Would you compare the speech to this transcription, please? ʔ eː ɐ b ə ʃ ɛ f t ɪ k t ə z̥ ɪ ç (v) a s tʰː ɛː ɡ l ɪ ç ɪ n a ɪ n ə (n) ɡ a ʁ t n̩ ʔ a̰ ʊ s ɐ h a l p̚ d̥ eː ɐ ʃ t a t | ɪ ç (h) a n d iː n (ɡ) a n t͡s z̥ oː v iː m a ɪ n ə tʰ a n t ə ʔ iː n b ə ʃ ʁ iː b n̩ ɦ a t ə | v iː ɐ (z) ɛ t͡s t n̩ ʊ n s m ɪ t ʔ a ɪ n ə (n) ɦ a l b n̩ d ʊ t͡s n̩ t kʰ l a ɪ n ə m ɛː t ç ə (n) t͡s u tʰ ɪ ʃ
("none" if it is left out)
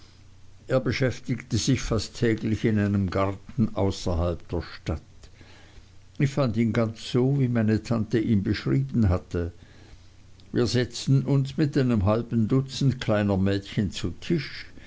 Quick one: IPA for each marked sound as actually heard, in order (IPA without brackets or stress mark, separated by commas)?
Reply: f, m, f, ɡ, z, m, n